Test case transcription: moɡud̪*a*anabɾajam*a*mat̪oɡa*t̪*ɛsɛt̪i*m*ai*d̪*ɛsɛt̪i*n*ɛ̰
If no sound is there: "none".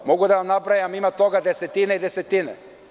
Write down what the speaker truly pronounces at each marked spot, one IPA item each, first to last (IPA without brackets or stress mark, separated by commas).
a, i, d̪, n, d̪, n